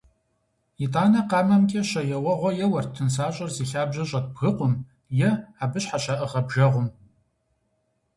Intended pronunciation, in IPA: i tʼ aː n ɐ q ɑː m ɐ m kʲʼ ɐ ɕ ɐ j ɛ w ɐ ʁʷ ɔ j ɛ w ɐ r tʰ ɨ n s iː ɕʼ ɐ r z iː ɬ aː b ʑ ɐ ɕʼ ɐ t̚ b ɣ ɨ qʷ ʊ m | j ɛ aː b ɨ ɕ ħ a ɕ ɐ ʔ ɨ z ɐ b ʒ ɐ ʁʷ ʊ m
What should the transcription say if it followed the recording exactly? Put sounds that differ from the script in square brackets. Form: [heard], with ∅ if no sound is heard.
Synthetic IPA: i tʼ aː n ɐ q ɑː m ɐ m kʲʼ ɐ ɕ ɐ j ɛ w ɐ ʁʷ ɔ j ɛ w ɐ r tʰ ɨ n s [aː] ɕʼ ɐ r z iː ɬ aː b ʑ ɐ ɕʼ ɐ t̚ b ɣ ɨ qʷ ʊ m | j ɛ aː b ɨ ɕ ħ a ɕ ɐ ʔ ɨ [ʁ] ɐ b ʒ ɐ ʁʷ ʊ m